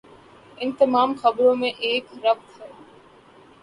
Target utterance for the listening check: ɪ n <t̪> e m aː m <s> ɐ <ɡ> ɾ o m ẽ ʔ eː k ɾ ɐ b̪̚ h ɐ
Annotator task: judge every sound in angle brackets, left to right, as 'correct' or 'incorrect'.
correct, incorrect, incorrect

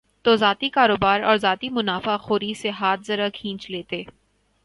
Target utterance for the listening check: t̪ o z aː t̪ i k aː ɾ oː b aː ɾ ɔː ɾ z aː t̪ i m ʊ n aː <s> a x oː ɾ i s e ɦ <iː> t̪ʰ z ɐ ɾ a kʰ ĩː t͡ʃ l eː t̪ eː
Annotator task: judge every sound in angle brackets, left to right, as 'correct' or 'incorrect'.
incorrect, incorrect

